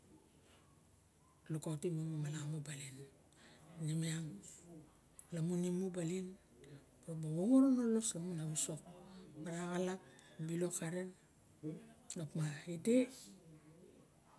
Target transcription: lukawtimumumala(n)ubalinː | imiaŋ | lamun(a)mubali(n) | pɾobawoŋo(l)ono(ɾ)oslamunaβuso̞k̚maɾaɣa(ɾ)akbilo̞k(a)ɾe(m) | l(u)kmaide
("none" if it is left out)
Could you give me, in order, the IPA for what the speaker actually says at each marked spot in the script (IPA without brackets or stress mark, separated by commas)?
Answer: m, i, n, ɾ, l, l, a, n, o